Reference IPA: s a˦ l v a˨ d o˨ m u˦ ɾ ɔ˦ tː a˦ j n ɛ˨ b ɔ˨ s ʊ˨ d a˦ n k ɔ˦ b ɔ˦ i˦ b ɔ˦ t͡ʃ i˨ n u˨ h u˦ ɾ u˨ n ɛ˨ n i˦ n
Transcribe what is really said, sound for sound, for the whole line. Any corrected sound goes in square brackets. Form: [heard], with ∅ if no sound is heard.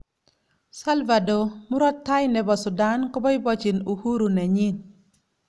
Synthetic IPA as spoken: s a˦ l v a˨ d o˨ m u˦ ɾ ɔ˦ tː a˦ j n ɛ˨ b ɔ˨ s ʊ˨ d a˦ n k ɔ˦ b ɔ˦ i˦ b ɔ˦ t͡ʃ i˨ n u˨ h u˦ ɾ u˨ n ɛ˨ [ɲ] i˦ n